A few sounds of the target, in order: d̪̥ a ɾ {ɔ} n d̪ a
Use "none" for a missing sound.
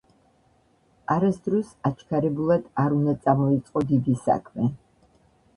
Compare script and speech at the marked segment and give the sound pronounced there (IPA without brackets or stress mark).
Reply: u